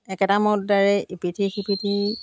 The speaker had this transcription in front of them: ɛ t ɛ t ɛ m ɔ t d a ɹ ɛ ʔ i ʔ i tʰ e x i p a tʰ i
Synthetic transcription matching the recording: ɛ k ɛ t a m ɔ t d a ɹ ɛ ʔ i p i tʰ i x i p i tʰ i